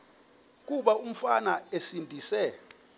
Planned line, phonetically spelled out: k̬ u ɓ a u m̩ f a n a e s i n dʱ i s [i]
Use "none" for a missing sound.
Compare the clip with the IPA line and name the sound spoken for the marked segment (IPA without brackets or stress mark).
ɛ